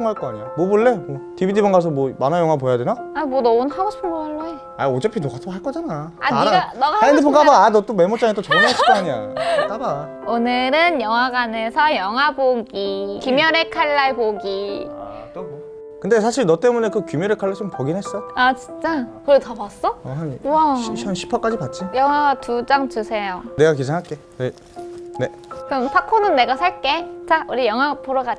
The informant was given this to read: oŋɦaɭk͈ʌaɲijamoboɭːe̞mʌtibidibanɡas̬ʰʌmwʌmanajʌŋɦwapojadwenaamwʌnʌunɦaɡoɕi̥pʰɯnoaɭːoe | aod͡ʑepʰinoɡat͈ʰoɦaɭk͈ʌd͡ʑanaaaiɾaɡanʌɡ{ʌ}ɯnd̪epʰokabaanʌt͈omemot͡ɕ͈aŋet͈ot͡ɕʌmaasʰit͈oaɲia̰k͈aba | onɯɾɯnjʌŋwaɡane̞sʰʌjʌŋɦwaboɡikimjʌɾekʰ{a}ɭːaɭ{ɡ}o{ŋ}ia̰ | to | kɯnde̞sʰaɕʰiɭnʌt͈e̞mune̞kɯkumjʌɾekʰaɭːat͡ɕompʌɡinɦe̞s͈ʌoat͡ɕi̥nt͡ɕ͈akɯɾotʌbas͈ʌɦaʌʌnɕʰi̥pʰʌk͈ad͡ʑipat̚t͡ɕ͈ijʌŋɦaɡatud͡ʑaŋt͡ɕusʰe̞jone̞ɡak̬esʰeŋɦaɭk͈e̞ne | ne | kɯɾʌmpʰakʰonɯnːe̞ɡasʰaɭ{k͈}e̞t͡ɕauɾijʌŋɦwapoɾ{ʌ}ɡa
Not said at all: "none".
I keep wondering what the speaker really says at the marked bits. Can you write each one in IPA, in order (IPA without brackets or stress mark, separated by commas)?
a, a, b, ɡ, k͈, ʌ